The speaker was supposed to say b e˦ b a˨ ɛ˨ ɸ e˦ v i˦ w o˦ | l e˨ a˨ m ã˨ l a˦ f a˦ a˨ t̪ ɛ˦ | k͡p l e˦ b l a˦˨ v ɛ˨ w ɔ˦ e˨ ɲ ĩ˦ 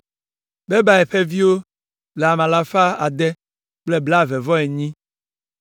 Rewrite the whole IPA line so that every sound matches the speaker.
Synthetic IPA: b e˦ b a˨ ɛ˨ ɸ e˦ v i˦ w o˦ | l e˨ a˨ m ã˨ l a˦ f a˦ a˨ d̪ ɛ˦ | k͡p l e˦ b l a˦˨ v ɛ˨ v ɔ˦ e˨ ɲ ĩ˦

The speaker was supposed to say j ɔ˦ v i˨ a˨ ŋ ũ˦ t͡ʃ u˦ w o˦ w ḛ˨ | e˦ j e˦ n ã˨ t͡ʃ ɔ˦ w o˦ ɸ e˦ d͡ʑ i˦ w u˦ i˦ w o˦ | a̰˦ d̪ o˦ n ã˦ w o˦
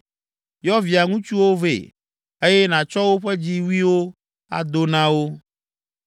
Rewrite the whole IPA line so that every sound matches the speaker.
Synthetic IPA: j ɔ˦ v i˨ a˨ ŋ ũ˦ t͡ʃ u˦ w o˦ v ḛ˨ | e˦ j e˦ n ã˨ t͡ʃ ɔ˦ w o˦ ɸ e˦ d͡ʑ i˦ w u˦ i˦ w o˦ | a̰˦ d̪ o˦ n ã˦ w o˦

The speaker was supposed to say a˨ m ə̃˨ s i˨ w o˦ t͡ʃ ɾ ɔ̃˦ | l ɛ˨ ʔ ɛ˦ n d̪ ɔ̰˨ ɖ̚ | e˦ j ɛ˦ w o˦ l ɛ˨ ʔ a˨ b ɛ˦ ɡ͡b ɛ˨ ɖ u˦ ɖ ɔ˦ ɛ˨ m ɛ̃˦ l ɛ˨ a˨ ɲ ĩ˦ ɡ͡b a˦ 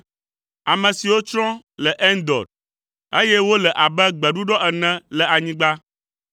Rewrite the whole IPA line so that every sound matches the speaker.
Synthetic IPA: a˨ m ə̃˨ s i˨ w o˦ t͡ʃ ɾ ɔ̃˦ | l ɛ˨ ʔ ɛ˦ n d̪ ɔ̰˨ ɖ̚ | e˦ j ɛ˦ w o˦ l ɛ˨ ʔ a˨ b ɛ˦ ɡ͡b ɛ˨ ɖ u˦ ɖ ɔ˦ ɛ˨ n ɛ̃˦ l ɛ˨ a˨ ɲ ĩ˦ ɡ͡b a˦

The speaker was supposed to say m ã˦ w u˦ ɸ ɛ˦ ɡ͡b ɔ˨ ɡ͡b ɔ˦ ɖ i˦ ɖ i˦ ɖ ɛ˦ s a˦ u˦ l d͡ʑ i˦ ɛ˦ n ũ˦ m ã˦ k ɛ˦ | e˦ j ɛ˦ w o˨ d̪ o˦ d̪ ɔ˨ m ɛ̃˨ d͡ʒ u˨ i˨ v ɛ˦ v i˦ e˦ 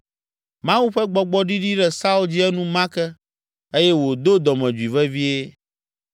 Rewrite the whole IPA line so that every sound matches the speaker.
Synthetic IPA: m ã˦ w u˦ ɸ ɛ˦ ɡ͡b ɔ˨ ɡ͡b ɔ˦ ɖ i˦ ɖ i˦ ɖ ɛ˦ s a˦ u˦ l d͡ʑ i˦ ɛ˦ n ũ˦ m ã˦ k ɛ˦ | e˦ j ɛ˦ w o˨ d̪ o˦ d̪ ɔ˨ m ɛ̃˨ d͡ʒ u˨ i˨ v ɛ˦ v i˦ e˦

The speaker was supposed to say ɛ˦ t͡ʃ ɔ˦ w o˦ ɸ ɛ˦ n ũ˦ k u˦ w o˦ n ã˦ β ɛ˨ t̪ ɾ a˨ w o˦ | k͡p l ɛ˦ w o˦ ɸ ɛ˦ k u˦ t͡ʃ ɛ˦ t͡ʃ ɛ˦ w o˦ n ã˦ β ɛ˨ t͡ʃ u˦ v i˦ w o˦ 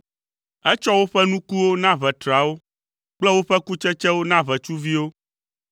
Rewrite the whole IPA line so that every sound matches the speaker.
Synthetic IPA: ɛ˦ t͡ʃ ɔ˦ w o˦ ɸ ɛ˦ n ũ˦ k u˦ w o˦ n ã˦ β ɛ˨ t̪ ɾ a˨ w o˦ | k͡p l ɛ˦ w o˦ ɸ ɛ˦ k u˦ t͡ʃ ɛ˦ t͡ʃ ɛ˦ w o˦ n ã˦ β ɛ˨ t͡ʃ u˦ v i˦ w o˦

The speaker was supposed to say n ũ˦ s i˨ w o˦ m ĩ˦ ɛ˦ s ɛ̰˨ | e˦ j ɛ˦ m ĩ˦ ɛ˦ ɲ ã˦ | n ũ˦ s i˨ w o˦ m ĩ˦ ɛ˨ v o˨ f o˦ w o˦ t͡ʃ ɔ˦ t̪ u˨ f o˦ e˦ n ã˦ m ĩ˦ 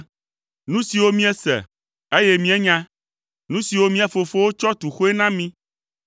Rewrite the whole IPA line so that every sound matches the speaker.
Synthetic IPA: n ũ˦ s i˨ w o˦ m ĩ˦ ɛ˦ s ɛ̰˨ | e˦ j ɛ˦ m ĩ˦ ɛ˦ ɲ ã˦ | n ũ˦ s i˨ w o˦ m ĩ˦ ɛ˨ f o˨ f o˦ w o˦ t͡ʃ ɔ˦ t̪ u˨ x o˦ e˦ n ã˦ m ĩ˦

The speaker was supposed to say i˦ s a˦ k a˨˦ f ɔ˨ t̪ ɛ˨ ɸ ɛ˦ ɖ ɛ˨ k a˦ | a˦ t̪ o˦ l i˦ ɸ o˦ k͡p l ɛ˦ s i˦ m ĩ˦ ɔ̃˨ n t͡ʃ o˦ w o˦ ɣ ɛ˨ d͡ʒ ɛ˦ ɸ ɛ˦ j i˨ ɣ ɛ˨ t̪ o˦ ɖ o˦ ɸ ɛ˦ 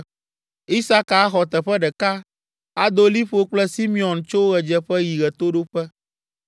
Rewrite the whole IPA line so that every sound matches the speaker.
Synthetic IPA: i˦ s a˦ k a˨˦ x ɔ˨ t̪ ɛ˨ ɸ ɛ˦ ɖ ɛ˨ k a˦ | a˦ d̪ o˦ l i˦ ɸ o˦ k͡p l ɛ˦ s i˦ m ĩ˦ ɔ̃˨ n t͡ʃ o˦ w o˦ ɣ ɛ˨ d͡ʒ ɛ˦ ɸ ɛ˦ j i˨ ɣ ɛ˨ t̪ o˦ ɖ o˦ ɸ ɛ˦

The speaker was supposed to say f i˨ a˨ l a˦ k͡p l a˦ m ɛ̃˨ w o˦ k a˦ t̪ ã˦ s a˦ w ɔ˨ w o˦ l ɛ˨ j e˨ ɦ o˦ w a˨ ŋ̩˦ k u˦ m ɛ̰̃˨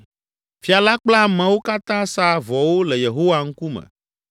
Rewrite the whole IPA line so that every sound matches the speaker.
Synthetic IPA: f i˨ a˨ l a˦ k͡p l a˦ m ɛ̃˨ w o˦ k a˦ t̪ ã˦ s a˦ v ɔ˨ w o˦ l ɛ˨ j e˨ ɦ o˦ w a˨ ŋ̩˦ k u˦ m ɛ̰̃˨

